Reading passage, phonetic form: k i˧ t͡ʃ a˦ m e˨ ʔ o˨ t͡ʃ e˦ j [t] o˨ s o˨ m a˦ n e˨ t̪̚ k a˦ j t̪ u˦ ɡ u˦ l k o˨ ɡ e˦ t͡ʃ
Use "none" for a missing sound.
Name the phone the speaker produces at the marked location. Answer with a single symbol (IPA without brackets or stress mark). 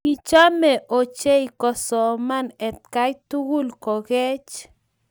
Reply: k